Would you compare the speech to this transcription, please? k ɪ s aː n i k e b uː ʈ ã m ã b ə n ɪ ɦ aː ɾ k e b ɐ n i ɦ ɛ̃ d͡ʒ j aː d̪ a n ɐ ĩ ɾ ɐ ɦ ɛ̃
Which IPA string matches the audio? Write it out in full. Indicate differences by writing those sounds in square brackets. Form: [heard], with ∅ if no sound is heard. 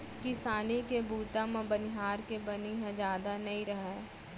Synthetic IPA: k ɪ s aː n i k e b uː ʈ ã m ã b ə n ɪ ɦ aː ɾ k e b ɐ n i ɦ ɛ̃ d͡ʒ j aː d̪ a n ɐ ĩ ɾ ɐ ɦ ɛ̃

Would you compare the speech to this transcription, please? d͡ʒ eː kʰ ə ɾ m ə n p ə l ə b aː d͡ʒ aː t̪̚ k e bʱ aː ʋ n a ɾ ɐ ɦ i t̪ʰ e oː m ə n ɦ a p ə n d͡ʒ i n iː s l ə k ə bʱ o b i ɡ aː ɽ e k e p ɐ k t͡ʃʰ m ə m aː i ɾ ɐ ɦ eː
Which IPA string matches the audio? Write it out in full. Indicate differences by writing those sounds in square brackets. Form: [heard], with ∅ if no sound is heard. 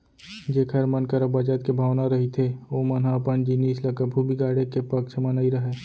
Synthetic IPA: d͡ʒ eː kʰ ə ɾ m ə n [k] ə [ɾ] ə b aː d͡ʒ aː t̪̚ k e bʱ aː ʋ n a ɾ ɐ ɦ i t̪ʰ e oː m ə n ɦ a p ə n d͡ʒ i n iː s l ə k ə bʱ [u] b i ɡ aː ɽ e k e p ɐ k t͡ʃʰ m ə [n] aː i ɾ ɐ ɦ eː

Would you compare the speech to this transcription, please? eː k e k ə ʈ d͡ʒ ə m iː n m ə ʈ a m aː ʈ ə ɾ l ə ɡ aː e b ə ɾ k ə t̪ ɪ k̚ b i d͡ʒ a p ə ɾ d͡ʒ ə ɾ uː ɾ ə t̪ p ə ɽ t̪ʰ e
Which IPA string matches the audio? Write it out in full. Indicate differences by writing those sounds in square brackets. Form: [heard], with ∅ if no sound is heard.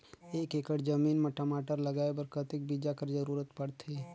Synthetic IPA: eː k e k ə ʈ d͡ʒ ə m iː n m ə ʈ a m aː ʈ ə ɾ l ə ɡ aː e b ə ɾ k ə t̪ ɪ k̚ b i d͡ʒ a [k] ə ɾ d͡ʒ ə ɾ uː ɾ ə t̪ p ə ɽ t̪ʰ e

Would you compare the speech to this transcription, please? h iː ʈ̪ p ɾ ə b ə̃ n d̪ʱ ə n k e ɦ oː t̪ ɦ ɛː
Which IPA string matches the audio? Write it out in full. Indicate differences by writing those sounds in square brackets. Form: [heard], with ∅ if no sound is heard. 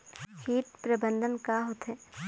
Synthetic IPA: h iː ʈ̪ p ɾ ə b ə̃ n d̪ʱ ə n k [a] ɦ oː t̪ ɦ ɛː

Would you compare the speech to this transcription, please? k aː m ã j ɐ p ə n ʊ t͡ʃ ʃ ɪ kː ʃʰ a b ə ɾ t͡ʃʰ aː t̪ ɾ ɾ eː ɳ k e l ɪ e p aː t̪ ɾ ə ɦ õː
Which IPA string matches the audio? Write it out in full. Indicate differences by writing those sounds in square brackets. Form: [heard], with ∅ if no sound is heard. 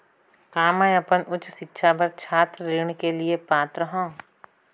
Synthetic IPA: k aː m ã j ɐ p ə n ʊ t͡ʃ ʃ ɪ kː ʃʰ a b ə ɾ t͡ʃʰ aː t̪ ɾ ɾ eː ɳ k e l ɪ e p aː t̪ ɾ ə ɦ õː

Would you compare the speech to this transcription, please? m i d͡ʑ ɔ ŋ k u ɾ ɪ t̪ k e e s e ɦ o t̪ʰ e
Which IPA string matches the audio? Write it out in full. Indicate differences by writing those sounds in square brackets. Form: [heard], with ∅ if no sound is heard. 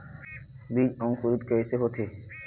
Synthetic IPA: [b] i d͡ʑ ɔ ŋ k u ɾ [i] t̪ k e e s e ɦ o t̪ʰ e

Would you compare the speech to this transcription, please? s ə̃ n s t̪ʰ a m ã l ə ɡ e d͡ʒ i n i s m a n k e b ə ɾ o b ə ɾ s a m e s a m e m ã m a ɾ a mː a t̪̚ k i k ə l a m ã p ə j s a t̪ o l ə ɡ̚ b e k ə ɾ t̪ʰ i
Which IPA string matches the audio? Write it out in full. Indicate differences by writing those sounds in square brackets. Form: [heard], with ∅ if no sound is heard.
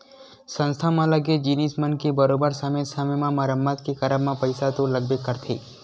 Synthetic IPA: s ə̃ n s t̪ʰ a m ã l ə ɡ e d͡ʒ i n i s m [ə] n k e b ə ɾ o b ə ɾ s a m e s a m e m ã m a ɾ [ə] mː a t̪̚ k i k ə [ɾ] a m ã p ə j s a t̪ o l ə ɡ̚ b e k ə ɾ t̪ʰ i

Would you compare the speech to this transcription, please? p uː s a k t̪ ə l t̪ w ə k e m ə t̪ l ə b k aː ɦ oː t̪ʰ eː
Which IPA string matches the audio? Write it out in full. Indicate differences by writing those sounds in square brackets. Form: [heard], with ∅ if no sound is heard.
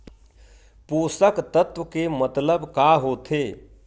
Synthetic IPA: p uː s [ə] k t̪ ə [∅] t̪ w ə k e m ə t̪ l ə b k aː ɦ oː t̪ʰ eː

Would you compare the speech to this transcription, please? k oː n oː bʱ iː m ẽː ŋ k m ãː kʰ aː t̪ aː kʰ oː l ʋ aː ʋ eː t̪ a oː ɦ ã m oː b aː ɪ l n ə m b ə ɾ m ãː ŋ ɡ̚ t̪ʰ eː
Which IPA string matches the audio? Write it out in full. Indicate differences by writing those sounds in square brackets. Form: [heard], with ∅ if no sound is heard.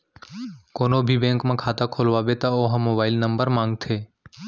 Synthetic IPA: k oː n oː bʱ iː [b] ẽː ŋ k m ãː kʰ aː t̪ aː kʰ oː l ʋ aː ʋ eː t̪ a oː ɦ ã m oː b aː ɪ l n ə m b ə ɾ m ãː ŋ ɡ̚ t̪ʰ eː

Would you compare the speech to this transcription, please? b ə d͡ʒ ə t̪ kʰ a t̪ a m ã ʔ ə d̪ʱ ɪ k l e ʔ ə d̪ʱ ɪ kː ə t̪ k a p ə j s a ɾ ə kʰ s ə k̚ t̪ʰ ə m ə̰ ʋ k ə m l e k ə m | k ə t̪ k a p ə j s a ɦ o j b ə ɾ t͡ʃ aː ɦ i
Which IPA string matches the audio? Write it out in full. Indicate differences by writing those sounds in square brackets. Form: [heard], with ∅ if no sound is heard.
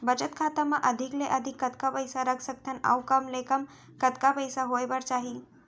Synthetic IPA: b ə d͡ʒ ə t̪ kʰ a t̪ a m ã ʔ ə d̪ʱ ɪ k l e ʔ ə d̪ʱ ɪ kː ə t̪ k a p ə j s a ɾ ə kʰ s ə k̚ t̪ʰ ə [n] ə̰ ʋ k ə m l e k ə m | k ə t̪ k a p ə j s a ɦ o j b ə ɾ t͡ʃ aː ɦ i

